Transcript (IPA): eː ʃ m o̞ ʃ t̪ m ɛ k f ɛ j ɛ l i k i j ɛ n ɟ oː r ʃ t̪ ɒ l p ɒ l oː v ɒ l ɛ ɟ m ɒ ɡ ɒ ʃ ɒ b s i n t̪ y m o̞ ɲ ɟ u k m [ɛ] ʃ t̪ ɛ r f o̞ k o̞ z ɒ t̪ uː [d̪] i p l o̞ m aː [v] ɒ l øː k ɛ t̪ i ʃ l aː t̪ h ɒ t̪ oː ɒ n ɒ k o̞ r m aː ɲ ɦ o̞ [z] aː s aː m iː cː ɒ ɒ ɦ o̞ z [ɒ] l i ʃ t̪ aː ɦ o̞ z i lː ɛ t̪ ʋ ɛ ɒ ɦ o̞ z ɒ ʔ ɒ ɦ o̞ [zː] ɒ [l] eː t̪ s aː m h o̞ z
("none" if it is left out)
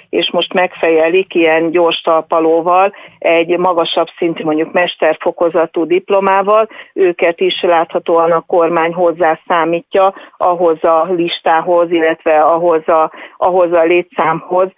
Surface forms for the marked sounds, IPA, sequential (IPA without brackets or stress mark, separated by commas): ɛ, d̪, v, zː, ɒ, z, l